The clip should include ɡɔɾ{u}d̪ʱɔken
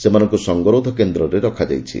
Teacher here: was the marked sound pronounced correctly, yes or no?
no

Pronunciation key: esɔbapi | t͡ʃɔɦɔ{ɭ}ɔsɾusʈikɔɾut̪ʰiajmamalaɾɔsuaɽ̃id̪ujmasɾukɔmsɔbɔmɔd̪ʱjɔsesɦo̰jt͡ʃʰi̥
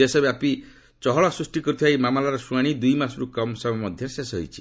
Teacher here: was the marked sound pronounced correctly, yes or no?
yes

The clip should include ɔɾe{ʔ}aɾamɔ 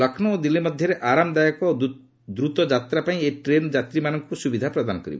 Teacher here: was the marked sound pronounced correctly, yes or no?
yes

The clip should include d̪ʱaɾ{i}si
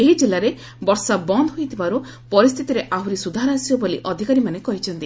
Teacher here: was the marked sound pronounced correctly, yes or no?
no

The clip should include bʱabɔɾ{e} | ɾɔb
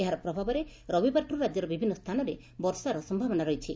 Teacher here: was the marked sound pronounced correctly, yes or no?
yes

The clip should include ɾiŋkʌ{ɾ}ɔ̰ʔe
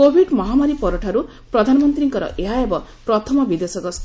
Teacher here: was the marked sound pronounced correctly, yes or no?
yes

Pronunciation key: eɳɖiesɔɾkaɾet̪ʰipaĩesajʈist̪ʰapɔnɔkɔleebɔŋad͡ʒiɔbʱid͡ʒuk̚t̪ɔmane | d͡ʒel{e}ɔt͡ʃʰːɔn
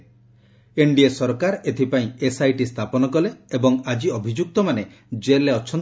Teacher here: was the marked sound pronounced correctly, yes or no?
yes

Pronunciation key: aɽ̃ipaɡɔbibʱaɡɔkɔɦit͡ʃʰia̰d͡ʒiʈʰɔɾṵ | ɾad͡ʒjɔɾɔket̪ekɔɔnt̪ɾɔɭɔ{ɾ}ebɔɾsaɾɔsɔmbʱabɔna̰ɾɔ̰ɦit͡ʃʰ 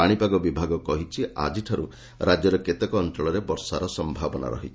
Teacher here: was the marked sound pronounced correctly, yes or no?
yes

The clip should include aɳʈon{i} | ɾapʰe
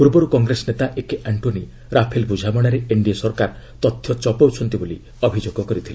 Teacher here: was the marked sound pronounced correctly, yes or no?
yes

